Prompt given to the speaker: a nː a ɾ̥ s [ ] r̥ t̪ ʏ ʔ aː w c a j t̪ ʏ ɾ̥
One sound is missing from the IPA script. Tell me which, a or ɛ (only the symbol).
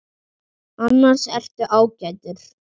ɛ